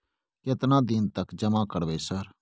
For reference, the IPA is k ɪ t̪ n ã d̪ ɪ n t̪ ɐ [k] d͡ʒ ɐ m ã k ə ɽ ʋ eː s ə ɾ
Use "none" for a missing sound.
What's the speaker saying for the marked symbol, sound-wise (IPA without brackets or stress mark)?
k